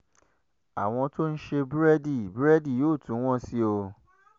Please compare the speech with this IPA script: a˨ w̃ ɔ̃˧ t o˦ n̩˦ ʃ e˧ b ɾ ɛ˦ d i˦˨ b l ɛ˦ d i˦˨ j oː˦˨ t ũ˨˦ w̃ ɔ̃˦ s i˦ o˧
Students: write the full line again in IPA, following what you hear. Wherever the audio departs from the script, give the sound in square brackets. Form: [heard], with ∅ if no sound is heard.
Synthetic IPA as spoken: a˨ w̃ ɔ̃˧ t o˦ n̩˦ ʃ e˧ b ɾ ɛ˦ d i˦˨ b [ɾ] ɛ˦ d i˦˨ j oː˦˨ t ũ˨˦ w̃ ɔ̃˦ s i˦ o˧